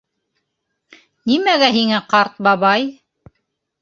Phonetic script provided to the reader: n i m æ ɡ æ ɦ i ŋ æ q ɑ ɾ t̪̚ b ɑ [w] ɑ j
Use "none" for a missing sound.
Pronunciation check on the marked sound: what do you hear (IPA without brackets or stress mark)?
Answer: β